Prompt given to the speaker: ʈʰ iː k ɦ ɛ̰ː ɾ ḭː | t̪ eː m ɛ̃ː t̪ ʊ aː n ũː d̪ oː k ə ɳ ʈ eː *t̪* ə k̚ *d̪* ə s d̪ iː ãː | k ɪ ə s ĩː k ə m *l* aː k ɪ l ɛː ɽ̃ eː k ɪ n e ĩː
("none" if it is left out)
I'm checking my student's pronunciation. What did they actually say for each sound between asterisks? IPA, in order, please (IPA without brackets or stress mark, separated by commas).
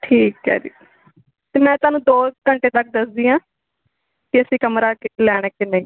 t̪, d̪, ɾ